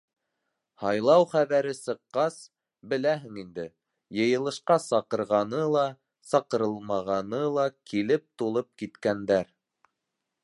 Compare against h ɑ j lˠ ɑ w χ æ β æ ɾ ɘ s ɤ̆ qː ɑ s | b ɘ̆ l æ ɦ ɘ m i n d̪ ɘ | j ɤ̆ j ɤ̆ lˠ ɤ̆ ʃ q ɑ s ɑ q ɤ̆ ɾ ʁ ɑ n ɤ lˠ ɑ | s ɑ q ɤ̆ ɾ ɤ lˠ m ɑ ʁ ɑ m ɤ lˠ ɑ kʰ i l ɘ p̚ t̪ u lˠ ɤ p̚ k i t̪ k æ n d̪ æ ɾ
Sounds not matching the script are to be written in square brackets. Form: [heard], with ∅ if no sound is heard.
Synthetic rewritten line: h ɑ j lˠ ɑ w χ æ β æ ɾ ɘ s ɤ̆ qː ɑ s | b ɘ̆ l æ ɦ ɘ [ŋ] i n d̪ ɘ | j ɤ̆ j ɤ̆ lˠ ɤ̆ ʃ q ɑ s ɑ q ɤ̆ ɾ ʁ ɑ n ɤ lˠ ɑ | s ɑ q ɤ̆ ɾ ɤ lˠ m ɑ ʁ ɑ [n] ɤ lˠ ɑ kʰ i l ɘ p̚ t̪ u lˠ ɤ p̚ k i t̪ k æ n d̪ æ ɾ